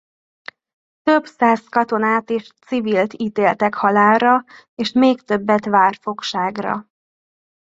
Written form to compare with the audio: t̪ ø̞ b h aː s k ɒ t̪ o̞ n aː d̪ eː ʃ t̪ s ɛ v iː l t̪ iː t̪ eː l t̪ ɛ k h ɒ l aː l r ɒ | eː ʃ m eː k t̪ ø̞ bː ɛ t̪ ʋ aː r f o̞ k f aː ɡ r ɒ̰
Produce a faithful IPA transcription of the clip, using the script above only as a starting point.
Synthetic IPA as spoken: t̪ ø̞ b s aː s k ɒ t̪ o̞ n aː t̪ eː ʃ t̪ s i v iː l t̪ iː t̪ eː l t̪ ɛ k h ɒ l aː l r ɒ | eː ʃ m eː k t̪ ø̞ bː ɛ t̪ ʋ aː r f o̞ k ʃ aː ɡ r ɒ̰

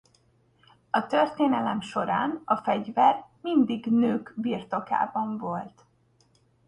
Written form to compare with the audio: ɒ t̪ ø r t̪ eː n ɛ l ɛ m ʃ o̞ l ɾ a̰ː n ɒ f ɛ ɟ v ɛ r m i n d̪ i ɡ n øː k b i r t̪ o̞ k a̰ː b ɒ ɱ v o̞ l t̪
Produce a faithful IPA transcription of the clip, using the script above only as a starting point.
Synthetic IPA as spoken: ɒ t̪ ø r t̪ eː n ɛ l ɛ m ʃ o̞ ɾ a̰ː n ɒ f ɛ ɟ v ɛ r m i n d̪ i ɡ n øː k b i r t̪ o̞ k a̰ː b ɒ ɱ v o̞ l t̪

